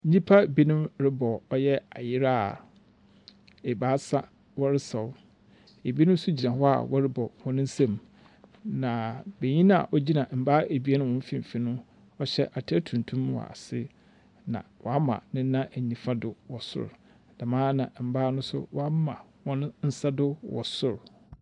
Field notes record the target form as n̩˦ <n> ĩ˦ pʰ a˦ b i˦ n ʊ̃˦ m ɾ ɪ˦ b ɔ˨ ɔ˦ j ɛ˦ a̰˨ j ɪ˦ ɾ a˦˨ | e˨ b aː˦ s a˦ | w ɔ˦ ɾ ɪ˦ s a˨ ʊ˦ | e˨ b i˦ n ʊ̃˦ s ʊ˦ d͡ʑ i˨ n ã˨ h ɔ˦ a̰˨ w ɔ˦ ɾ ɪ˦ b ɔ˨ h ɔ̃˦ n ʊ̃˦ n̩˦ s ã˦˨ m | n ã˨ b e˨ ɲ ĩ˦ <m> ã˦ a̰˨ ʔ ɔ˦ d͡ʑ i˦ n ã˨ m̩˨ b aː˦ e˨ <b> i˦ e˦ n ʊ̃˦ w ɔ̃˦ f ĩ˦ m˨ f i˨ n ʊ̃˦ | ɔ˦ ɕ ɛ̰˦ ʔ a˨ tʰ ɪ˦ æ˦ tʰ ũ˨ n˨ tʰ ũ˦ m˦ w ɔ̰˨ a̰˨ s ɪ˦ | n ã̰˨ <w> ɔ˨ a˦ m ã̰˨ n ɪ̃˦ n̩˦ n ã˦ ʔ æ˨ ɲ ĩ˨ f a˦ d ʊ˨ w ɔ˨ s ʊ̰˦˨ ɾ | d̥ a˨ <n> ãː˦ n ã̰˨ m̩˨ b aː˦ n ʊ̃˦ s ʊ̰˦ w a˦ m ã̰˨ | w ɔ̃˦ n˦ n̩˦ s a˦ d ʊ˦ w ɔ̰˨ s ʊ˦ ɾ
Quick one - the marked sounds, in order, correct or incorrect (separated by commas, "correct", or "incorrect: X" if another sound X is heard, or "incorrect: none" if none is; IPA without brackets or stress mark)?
incorrect: ɲ, incorrect: n, correct, correct, incorrect: m